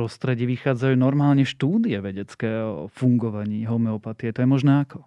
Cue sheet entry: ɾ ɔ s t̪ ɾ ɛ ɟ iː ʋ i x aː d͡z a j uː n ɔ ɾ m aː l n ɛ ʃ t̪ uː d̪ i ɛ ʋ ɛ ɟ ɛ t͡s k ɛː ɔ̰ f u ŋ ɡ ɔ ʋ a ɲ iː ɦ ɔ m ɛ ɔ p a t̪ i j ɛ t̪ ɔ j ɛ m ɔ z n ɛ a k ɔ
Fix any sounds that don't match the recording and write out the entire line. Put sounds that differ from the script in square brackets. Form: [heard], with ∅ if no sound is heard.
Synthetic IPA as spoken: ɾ ɔ s t̪ ɾ ɛ ɟ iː ʋ i x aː d͡z a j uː n ɔ ɾ m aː l [ɲ] ɛ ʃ t̪ uː d̪ i ɛ ʋ ɛ ɟ ɛ t͡s k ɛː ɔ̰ f u ŋ ɡ ɔ ʋ a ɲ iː ɦ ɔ m ɛ ɔ p a t̪ i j ɛ t̪ ɔ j ɛ m ɔ [ʒ] n ɛ a k ɔ